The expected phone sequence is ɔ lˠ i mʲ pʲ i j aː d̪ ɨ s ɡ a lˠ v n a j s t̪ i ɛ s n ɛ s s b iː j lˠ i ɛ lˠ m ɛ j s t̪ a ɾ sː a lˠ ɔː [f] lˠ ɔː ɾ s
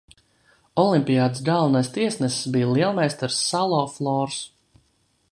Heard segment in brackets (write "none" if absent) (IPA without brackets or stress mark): f